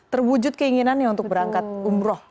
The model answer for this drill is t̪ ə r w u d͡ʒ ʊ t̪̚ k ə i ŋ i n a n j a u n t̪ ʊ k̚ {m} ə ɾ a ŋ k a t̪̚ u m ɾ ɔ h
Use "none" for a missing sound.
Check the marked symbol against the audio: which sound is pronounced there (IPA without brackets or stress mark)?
b